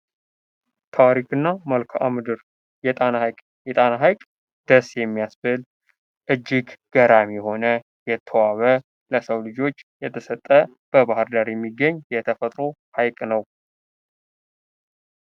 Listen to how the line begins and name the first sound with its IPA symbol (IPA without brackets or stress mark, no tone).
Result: t̪ʰ